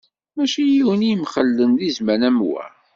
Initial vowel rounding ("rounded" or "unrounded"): unrounded